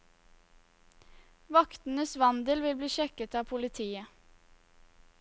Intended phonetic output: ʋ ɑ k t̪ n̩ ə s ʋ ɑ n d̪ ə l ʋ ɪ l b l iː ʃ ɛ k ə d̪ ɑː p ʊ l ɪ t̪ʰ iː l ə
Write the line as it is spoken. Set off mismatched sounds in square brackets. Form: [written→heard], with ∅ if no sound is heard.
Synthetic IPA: ʋ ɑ k t̪ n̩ ə s ʋ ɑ n d̪ ə l ʋ ɪ l b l iː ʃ ɛ k ə [d̪→t̪] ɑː [p→pʰ] ʊ l ɪ t̪ʰ iː [l→∅] ə